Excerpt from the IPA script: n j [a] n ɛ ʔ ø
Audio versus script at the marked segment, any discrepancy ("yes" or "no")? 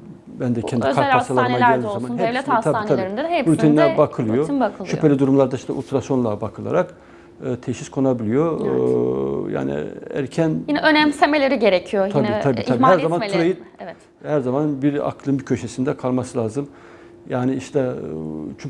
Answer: yes